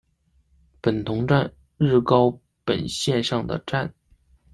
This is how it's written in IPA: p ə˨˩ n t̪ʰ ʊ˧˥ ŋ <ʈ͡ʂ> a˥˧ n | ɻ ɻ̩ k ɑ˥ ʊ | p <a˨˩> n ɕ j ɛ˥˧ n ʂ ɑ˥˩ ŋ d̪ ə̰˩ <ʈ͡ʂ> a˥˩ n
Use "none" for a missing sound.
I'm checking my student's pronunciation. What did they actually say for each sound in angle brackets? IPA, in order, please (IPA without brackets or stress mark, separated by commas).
ʈ͡ʂ, ə˨˩, ʈ͡ʂ